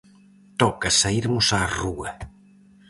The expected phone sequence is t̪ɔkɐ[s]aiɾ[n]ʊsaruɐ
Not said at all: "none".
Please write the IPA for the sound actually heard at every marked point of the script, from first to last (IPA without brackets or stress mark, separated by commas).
s, m